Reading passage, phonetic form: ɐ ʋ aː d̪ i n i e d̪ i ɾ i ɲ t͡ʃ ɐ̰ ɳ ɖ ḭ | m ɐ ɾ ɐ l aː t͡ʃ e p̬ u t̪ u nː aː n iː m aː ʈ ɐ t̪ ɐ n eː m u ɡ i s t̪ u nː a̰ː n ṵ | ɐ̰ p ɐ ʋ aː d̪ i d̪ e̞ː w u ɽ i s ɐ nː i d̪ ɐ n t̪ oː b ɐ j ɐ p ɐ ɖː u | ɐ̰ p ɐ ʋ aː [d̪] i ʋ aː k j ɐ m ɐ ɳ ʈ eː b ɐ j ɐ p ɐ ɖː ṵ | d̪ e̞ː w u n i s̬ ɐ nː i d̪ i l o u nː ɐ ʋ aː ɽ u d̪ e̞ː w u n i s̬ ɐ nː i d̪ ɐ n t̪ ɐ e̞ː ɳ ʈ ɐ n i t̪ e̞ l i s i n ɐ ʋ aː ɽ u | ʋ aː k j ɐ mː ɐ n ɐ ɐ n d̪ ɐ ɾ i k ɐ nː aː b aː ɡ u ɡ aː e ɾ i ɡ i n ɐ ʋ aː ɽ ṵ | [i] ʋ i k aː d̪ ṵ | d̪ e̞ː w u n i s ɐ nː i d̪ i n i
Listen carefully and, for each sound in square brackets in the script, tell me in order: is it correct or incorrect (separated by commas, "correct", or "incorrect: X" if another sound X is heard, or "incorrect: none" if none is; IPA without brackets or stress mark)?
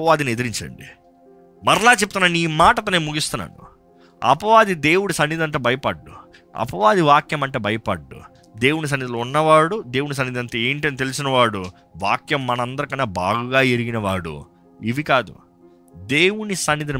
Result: correct, correct